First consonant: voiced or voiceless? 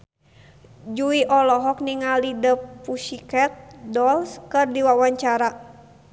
voiced